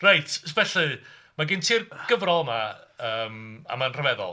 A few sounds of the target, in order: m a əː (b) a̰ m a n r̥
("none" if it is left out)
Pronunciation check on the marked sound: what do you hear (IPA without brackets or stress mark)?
m